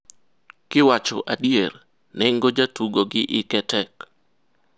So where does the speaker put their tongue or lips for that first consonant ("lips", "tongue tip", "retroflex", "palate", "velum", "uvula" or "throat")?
velum